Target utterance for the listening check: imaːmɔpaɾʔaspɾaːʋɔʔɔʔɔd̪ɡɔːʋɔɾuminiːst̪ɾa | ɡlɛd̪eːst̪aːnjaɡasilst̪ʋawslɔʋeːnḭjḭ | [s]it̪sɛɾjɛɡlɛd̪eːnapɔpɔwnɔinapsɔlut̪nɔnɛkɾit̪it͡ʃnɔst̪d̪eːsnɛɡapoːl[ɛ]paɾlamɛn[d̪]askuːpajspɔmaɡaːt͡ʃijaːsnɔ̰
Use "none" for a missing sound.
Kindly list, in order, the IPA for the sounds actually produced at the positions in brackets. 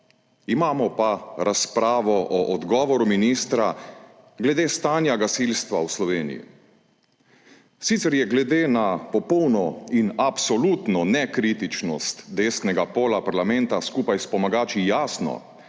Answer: s, a, t̪

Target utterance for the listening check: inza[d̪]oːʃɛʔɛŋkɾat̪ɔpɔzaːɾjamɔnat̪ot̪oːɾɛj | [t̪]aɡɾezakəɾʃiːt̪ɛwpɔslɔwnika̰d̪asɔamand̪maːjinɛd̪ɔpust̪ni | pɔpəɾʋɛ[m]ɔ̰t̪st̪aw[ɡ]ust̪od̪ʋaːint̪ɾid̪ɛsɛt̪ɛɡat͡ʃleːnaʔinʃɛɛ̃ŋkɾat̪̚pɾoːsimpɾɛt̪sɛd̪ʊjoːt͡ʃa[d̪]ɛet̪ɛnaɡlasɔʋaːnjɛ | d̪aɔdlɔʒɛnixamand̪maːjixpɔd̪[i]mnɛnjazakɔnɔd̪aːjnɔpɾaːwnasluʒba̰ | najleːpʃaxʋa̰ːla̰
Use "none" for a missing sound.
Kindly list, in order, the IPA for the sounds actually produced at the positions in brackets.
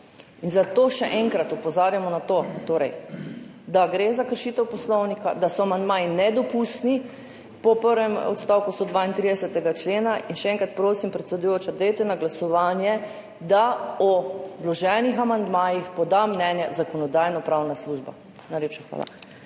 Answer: t̪, d̪, m, k, d̪, a

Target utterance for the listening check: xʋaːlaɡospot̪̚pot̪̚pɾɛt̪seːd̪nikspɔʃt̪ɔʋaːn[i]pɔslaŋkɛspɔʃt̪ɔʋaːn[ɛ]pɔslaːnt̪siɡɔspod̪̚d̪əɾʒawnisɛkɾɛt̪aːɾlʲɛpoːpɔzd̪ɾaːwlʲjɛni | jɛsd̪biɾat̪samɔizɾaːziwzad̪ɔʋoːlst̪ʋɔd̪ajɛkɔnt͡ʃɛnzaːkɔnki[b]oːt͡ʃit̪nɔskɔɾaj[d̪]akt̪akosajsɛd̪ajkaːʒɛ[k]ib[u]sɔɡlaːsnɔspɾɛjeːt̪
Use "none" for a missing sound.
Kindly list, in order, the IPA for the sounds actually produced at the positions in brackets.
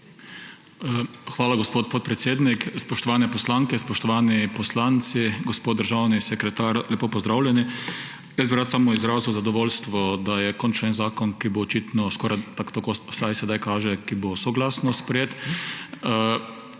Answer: ɛ, i, b, t̪, k, o

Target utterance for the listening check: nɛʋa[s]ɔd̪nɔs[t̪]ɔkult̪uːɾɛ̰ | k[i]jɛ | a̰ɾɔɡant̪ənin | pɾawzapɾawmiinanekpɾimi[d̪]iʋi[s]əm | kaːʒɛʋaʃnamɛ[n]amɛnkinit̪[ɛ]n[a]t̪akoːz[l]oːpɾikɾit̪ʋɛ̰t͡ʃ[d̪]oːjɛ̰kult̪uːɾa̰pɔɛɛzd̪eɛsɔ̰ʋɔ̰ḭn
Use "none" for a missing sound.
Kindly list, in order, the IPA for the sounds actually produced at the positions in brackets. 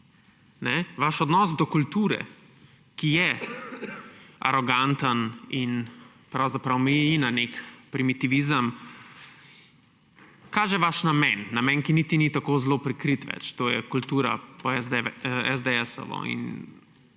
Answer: ʃ, d̪, i, t̪, z, nː, i, i, l, t̪

